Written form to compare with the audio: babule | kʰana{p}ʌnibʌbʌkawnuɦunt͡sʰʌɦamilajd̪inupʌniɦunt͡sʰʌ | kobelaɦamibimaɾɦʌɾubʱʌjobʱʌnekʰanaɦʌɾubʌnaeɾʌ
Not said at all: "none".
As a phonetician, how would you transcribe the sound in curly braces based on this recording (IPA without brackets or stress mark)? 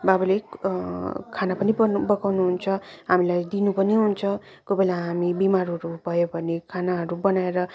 p